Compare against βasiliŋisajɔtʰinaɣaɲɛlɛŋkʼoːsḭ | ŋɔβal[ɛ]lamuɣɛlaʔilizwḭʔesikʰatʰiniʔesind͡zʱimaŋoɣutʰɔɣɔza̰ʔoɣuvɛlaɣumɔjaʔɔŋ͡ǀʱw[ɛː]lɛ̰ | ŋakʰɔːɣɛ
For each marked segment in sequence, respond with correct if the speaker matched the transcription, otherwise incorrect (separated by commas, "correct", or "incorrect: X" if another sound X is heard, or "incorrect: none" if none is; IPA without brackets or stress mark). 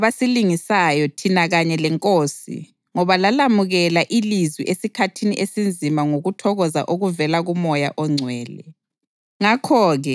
incorrect: a, correct